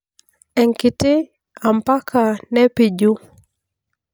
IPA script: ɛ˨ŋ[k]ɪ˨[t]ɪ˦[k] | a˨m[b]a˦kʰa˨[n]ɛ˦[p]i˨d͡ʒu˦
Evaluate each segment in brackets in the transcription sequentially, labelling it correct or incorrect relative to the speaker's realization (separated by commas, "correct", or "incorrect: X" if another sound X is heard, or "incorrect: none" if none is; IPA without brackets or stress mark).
correct, correct, incorrect: none, incorrect: p, correct, correct